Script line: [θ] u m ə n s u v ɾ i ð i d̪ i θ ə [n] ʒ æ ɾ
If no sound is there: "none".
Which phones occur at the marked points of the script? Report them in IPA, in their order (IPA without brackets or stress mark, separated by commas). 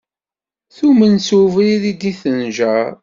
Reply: θ, n